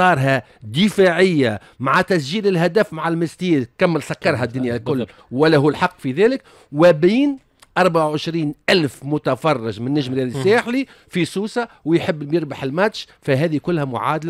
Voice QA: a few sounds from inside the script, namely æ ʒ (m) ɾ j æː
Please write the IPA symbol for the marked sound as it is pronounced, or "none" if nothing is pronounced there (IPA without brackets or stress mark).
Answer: m